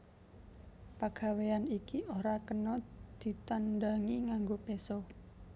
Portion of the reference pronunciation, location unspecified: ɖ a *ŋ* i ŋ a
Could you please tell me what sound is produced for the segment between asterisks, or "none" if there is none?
ŋ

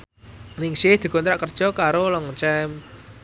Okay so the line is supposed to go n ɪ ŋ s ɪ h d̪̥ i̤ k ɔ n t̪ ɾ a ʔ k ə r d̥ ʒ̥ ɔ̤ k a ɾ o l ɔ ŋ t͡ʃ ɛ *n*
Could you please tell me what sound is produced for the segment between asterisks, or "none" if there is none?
m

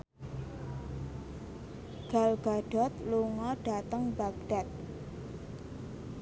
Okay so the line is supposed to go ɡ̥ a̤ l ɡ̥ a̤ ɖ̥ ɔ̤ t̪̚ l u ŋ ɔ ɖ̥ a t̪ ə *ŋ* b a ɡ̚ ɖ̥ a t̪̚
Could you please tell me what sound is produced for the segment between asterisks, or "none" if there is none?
ŋ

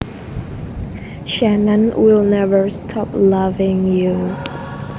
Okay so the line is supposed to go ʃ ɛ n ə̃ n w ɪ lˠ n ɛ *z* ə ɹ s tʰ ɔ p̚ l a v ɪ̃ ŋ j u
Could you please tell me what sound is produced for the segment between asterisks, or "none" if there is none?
v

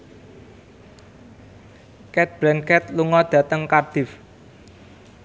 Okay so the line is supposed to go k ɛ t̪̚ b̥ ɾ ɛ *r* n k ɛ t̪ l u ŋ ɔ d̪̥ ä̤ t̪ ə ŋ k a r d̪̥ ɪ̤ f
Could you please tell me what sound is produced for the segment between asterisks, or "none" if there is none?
none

